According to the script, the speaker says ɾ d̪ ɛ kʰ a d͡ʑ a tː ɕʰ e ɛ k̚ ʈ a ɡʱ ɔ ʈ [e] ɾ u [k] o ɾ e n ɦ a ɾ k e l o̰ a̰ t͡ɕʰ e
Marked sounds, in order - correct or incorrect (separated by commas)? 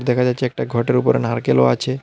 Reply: correct, incorrect